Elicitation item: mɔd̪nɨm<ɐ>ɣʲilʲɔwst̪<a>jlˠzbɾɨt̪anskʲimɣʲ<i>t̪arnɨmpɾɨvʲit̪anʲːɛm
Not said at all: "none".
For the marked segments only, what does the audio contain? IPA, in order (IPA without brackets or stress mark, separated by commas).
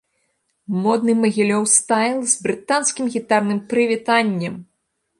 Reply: ɐ, a, i